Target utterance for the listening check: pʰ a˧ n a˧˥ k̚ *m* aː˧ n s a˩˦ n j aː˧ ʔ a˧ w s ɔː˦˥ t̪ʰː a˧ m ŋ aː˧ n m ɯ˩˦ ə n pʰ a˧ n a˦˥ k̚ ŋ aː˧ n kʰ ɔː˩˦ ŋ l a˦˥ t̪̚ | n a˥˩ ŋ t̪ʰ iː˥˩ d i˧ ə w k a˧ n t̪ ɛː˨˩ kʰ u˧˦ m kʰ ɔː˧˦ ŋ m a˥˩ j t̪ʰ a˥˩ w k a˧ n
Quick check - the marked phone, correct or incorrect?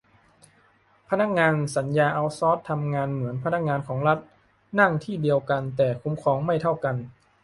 incorrect